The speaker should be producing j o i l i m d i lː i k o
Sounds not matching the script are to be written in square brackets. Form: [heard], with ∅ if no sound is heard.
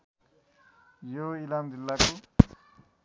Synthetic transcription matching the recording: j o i l [a] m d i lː [a] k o